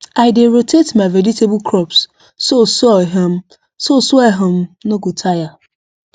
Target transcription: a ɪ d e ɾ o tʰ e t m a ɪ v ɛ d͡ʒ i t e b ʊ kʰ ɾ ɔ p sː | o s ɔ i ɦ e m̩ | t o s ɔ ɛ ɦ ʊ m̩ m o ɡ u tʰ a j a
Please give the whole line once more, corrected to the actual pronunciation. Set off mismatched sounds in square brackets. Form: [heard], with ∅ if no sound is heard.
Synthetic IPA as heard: a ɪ d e ɾ o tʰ e t m a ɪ v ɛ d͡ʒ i t e b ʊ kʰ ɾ ɔ p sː | o s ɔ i ɦ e m̩ | [s] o s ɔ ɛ ɦ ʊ m̩ [n] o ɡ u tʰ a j a